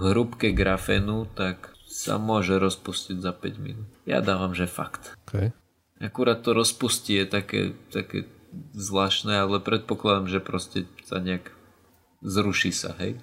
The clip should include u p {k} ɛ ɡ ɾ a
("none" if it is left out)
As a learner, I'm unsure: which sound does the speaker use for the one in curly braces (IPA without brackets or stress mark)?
k